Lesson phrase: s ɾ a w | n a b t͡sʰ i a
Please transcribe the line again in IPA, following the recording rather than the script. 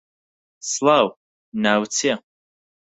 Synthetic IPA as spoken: s l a w | n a w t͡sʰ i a